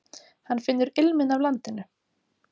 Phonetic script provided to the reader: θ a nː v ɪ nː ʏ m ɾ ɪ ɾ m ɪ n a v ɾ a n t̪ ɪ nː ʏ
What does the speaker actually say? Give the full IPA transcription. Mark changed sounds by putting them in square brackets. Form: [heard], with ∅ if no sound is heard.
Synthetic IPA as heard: [h] a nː [f] ɪ nː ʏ [∅] ɾ ɪ [l] m ɪ n a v [l] a n t̪ ɪ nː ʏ